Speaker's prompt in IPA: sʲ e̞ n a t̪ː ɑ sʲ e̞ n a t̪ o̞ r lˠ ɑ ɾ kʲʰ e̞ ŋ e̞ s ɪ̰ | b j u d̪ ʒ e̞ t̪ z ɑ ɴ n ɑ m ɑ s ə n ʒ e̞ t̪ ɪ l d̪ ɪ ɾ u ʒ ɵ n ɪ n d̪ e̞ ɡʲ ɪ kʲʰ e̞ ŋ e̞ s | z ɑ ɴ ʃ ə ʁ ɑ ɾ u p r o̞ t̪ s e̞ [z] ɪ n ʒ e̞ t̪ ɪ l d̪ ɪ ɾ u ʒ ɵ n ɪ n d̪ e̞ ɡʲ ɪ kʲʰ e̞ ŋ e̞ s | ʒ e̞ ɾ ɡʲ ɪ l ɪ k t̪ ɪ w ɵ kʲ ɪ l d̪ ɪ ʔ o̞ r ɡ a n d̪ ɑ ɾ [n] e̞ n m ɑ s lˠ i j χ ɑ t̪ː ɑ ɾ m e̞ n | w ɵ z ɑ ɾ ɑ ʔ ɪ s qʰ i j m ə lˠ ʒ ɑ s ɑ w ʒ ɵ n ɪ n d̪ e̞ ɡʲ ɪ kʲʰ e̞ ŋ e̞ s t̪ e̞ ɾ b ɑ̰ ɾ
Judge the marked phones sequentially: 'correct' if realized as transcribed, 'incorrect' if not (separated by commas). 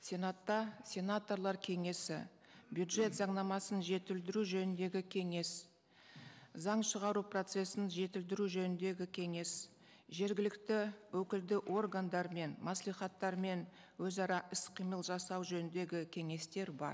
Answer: incorrect, incorrect